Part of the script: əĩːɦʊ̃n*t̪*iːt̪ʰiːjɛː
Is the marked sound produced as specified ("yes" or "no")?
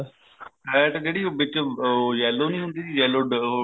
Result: no